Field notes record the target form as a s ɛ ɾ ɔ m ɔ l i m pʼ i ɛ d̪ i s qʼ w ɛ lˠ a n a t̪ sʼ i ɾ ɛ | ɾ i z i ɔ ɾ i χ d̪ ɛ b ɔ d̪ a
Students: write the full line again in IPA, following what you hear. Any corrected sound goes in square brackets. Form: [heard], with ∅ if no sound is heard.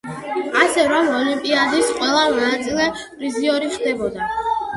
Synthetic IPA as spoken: a s ɛ ɾ ɔ m ɔ l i m pʼ i [a] d̪ i s qʼ w ɛ lˠ a n a t̪ sʼ i [l] ɛ | ɾ i z i ɔ ɾ i χ d̪ ɛ b ɔ d̪ a